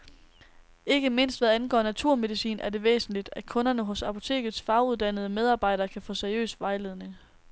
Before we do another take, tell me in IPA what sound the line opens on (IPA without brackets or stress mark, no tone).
e̝